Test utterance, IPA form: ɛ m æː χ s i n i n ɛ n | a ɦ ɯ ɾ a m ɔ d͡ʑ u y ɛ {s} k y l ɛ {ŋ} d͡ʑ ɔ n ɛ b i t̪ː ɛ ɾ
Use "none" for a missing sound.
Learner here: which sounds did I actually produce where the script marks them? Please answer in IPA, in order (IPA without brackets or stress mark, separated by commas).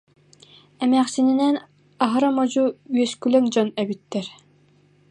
s, ŋ